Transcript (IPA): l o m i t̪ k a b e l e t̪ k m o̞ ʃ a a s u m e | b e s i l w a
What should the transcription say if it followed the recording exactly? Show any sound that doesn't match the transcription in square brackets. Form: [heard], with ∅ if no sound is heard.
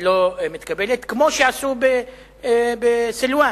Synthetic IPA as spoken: l o m i t̪ k a b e l e t̪ k m o̞ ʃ [e] a s u [b] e | b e s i l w a